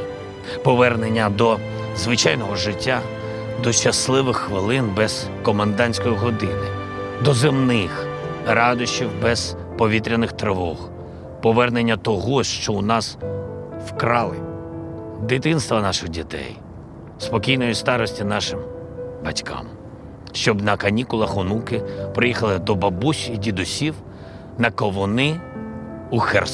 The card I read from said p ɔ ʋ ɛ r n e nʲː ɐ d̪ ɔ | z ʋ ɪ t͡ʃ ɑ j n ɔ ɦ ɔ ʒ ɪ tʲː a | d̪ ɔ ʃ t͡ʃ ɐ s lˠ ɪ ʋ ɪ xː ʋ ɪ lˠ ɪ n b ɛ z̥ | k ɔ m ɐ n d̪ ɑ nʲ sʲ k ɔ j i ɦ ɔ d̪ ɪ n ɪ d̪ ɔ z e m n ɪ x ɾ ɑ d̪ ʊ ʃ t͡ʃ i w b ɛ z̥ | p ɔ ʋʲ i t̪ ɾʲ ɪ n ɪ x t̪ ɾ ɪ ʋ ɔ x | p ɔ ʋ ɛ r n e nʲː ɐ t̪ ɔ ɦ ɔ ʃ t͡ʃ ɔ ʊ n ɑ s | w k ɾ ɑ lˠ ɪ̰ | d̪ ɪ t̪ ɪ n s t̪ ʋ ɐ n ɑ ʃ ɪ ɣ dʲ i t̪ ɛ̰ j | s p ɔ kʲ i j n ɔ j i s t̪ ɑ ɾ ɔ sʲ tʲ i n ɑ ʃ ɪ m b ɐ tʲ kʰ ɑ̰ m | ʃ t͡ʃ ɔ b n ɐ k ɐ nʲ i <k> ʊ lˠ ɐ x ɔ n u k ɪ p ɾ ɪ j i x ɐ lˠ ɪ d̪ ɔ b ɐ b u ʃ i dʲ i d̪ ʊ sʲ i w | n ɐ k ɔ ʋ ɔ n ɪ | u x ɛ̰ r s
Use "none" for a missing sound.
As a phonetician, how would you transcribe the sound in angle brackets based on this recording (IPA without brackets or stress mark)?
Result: k